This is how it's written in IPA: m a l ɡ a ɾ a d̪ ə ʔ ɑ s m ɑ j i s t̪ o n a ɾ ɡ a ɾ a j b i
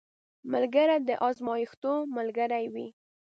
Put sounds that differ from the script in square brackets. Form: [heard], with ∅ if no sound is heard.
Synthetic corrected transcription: m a l ɡ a ɾ a d̪ ə ʔ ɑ [z] m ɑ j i [x] t̪ o [m] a [l] ɡ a ɾ a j [w] i